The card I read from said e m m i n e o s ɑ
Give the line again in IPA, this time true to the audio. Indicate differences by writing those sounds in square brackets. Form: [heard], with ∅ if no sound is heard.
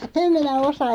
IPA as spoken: e m m i n [æ] o s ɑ